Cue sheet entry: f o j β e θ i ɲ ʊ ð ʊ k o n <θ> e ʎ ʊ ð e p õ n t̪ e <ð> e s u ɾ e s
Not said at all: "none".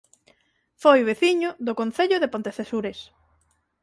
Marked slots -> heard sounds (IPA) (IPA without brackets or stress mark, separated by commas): θ, θ